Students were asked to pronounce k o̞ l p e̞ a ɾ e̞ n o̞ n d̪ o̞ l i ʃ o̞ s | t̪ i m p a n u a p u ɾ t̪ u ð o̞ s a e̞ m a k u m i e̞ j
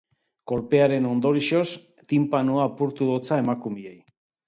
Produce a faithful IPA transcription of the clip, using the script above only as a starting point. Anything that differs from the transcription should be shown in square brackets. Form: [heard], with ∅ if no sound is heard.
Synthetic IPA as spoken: k o̞ l p e̞ a ɾ e̞ n o̞ n d̪ o̞ [ɾ] i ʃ o̞ s | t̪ i m p a n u a p u ɾ t̪ u ð o̞ [t͡s] a e̞ m a k u m i e̞ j

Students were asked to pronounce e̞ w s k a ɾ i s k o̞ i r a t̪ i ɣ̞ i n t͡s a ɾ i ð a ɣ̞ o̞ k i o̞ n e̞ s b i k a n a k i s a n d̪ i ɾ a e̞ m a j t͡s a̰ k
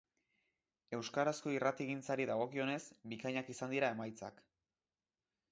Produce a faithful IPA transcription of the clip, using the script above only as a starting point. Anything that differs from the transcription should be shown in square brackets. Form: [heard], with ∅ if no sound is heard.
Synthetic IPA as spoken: e̞ w s k a ɾ [a] s k o̞ i r a t̪ i ɣ̞ i n t͡s a ɾ i ð a ɣ̞ o̞ k i o̞ n e̞ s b i k a [ɲ] a k i s a n d̪ i ɾ a e̞ m a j t͡s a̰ k

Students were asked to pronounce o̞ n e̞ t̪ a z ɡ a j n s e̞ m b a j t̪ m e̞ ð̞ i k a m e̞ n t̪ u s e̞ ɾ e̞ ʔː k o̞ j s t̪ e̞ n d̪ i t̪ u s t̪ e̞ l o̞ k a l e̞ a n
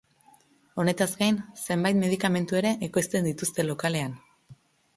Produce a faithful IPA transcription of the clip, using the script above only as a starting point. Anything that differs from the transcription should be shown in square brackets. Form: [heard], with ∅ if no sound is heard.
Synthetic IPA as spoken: o̞ n e̞ t̪ a z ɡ a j n s e̞ m b a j t̪ m e̞ ð̞ i k a m e̞ n t̪ u [∅] e̞ ɾ e̞ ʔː k o̞ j s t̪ e̞ n d̪ i t̪ u s t̪ e̞ l o̞ k a l e̞ a n

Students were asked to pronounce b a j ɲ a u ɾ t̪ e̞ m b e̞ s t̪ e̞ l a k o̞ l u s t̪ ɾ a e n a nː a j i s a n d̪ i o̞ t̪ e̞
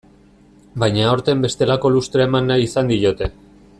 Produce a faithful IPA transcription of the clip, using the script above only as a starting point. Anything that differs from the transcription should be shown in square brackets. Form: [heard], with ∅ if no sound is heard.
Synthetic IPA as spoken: b a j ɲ a [o] ɾ t̪ e̞ m b e̞ s t̪ e̞ l a k o̞ l u s t̪ ɾ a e [m] a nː a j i s a n d̪ i o̞ t̪ e̞

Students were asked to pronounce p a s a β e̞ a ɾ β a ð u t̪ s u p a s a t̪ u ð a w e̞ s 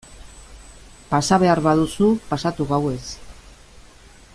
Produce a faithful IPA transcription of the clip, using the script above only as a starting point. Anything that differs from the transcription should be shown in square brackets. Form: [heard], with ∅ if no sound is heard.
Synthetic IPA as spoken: p a s a β e̞ a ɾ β a ð u [∅] s u p a s a t̪ u [ɣ] a w e̞ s

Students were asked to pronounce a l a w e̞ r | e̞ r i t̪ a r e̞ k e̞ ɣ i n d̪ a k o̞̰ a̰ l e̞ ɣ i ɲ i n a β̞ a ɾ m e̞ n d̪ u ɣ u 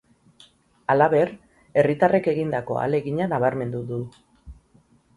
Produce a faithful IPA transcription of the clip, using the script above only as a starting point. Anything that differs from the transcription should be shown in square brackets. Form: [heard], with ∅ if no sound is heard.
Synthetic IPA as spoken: a l a [β] e̞ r | e̞ r i t̪ a r e̞ k e̞ ɣ i n d̪ a k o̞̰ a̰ l e̞ ɣ i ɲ [a] n a β̞ a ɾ m e̞ n d̪ u [ð] u

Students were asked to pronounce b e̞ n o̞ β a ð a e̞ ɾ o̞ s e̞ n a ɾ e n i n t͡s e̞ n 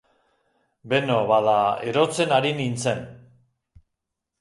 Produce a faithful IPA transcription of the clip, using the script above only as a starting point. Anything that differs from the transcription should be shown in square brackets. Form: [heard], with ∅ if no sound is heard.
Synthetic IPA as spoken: b e̞ n o̞ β a ð a e̞ ɾ o̞ [t͡s] e̞ n a ɾ [i] n i n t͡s e̞ n

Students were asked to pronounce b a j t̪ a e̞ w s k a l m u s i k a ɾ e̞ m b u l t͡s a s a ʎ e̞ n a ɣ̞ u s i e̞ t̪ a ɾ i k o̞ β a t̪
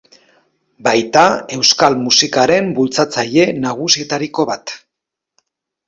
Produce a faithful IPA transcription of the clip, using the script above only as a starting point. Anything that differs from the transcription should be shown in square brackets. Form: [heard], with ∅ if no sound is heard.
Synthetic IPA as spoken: b a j t̪ a e̞ w s k a l m u s i k a ɾ e̞ m b u l t͡s a [t͡s] a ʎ e̞ n a ɣ̞ u s i e̞ t̪ a ɾ i k o̞ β a t̪

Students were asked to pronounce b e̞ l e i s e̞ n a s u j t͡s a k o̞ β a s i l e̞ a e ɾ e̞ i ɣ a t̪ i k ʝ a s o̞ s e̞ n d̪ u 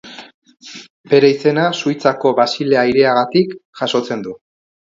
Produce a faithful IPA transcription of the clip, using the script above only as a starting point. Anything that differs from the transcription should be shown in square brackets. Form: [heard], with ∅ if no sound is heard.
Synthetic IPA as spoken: b e̞ [ɾ] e i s e̞ n a s u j t͡s a k o̞ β a s i l e̞ a [i] ɾ e̞ [a] ɣ a t̪ i k ʝ a s o̞ [t͡s] e̞ n d̪ u

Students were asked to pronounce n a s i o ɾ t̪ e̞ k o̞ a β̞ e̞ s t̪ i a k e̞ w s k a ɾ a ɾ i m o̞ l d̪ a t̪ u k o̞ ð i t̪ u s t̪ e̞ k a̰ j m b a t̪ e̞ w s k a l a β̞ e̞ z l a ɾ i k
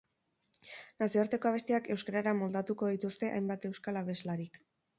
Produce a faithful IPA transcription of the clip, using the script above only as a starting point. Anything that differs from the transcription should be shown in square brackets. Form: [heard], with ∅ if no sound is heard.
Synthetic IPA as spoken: n a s i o ɾ t̪ e̞ k o̞ a β̞ e̞ s t̪ i a k e̞ w s k a ɾ a ɾ [a] m o̞ l d̪ a t̪ u k o̞ ð i t̪ u s t̪ e̞ [ʔ] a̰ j m b a t̪ e̞ w s k a l a β̞ e̞ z l a ɾ i k

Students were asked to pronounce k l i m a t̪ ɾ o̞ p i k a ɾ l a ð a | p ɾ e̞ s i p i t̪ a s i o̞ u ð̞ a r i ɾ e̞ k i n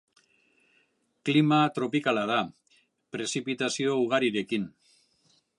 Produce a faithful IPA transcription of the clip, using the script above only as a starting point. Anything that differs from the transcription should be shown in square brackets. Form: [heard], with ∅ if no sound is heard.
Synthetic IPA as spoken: k l i m a t̪ ɾ o̞ p i k a [∅] l a ð a | p ɾ e̞ s i p i t̪ a s i o̞ u [ɣ̞] a [ɾ] i ɾ e̞ k i n

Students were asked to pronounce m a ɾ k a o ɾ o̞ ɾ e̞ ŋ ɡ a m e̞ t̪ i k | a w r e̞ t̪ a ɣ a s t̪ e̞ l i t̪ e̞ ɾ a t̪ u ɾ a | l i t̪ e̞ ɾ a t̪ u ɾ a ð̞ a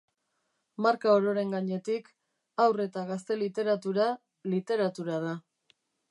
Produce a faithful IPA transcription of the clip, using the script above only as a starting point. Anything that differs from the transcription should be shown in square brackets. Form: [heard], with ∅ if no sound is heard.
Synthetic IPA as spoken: m a ɾ k a o ɾ o̞ ɾ e̞ ŋ ɡ a [ɲ] e̞ t̪ i k | a w r e̞ t̪ a ɣ a s t̪ e̞ l i t̪ e̞ ɾ a t̪ u ɾ a | l i t̪ e̞ ɾ a t̪ u ɾ a ð̞ a

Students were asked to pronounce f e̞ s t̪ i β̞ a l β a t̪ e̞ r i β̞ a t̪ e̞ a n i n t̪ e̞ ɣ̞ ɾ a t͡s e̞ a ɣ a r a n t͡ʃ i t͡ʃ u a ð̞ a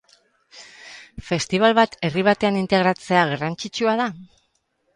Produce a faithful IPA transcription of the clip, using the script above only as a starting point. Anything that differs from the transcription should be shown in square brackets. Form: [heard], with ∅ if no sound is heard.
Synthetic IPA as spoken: f e̞ s t̪ i β̞ a l β a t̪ e̞ r i β̞ a t̪ e̞ a n i n t̪ e̞ ɣ̞ ɾ a t͡s e̞ a ɣ a r a n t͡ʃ i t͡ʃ u a ð̞ a

